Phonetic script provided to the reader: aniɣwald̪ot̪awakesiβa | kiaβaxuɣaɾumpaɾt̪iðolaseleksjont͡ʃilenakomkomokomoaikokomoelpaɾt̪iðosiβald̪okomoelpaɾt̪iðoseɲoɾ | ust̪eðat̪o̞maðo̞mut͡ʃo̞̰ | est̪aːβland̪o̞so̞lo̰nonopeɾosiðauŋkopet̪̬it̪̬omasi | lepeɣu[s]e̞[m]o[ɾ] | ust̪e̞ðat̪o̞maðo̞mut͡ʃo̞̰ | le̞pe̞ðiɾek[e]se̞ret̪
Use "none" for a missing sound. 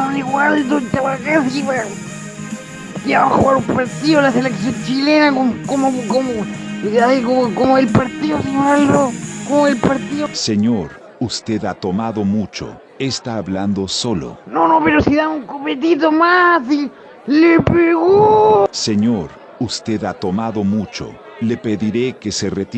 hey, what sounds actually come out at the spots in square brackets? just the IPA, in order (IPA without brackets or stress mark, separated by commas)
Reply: s, ɲ, ɾ, e